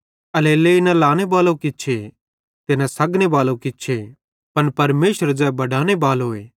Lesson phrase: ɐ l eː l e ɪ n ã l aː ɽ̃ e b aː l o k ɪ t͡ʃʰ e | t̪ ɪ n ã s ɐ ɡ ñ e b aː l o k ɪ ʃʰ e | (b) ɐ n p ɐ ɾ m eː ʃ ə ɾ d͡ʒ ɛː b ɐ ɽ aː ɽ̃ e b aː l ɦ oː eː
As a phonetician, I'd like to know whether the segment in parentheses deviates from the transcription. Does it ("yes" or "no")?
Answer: yes